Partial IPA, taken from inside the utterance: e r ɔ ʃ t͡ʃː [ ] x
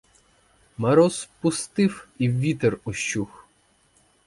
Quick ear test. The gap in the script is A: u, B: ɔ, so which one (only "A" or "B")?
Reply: A